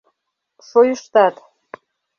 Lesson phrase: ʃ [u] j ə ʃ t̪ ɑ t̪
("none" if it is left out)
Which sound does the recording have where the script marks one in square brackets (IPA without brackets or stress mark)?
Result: o